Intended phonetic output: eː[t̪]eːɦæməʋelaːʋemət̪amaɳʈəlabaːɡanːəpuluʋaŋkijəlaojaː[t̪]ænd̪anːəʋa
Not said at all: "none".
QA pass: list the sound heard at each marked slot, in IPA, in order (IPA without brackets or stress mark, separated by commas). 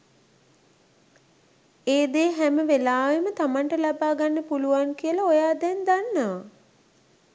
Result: d̪, d̪